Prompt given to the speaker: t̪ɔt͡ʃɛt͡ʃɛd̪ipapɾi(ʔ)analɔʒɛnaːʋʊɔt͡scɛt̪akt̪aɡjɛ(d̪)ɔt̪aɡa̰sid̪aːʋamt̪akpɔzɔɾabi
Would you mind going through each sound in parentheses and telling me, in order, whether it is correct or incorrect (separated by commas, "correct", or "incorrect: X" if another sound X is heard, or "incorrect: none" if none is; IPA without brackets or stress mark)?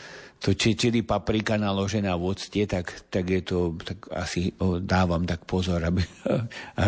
incorrect: k, incorrect: t̪